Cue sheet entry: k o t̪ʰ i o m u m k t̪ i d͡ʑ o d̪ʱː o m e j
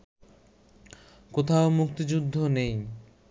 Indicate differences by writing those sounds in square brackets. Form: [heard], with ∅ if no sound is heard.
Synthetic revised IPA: k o t̪ʰ [a] o m u [∅] k t̪ i d͡ʑ [u] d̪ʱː o [n] e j